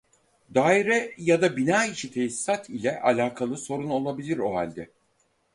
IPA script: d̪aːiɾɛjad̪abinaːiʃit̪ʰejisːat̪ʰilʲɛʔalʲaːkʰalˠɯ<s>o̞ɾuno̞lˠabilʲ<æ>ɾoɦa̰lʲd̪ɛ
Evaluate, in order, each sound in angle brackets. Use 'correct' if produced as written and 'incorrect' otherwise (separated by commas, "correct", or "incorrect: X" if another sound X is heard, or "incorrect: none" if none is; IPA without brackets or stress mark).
correct, incorrect: i